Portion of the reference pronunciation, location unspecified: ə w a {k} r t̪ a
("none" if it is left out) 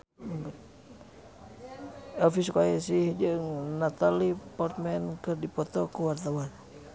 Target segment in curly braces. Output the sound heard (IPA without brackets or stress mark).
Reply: none